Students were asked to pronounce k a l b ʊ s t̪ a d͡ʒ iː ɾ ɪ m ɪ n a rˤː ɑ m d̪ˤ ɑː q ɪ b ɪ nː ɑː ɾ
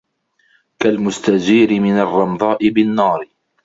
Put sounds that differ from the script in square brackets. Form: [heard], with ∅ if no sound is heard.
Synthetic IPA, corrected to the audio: k a l [m] ʊ s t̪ a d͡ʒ iː ɾ ɪ m ɪ n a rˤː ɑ m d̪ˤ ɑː [ʔ] ɪ b ɪ nː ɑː ɾ